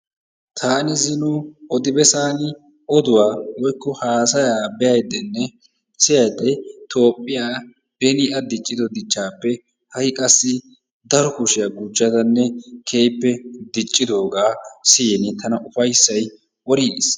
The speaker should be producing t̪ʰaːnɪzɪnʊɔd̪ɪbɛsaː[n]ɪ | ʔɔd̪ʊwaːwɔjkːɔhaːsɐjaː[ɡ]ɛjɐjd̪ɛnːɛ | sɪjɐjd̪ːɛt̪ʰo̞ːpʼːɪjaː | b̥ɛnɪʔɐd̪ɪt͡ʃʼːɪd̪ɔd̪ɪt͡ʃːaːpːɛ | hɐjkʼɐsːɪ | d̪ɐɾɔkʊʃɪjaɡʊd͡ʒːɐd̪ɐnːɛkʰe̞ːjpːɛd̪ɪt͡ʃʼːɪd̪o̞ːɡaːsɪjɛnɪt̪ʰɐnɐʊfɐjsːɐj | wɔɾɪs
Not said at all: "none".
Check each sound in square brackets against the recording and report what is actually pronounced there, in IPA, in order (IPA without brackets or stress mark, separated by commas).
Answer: n, b